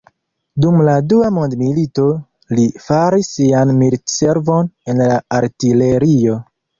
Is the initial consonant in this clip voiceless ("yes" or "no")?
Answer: no